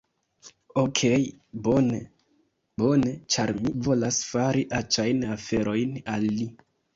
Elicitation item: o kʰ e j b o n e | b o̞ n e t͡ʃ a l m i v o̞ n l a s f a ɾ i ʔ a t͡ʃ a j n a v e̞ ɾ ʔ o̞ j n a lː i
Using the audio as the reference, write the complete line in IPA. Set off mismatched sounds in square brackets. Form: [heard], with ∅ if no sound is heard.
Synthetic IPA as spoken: o kʰ e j b o n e | b o̞ n e t͡ʃ a [ɾ] m i v o̞ [∅] l a s f a ɾ i ʔ a t͡ʃ a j n a [f] e̞ ɾ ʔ o̞ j n a lː i